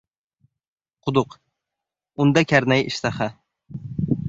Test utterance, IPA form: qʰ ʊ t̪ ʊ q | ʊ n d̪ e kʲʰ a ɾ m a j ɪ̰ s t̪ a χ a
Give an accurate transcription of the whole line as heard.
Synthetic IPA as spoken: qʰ ʊ d̪ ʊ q | ʊ n d̪ a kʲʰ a ɾ n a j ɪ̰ ʃ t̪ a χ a